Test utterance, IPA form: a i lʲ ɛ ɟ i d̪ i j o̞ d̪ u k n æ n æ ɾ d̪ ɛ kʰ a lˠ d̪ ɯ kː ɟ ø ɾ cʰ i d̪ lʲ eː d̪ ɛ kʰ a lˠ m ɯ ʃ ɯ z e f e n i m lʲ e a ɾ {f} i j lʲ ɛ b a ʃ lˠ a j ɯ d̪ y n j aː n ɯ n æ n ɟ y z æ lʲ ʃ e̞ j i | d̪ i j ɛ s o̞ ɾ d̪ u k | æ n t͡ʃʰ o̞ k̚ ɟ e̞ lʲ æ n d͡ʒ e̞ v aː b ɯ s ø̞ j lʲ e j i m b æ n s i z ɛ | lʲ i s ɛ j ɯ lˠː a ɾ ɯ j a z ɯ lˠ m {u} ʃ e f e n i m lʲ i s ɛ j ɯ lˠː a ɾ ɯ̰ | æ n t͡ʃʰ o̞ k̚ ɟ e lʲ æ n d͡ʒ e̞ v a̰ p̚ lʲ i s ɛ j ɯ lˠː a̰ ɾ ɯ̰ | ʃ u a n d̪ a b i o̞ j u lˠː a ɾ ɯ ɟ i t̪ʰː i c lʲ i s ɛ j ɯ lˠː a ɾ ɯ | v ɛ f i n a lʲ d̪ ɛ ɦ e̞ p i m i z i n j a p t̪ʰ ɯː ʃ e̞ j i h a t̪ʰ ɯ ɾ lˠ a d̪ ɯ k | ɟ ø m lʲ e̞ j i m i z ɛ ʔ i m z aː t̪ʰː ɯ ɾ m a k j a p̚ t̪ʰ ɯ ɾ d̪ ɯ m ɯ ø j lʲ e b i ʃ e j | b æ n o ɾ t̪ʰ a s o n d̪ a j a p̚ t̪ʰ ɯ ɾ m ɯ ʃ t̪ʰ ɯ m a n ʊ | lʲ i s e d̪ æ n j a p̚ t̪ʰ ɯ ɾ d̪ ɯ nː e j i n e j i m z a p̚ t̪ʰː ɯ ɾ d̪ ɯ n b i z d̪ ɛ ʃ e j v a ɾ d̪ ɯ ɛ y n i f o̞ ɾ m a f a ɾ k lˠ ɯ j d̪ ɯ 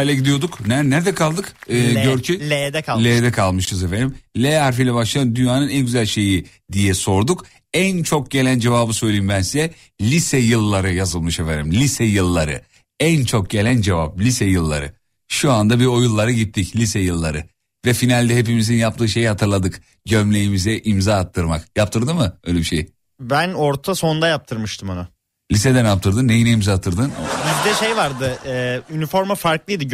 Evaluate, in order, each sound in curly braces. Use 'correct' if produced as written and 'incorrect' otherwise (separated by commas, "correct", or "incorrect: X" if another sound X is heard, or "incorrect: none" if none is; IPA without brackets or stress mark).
correct, incorrect: ɯ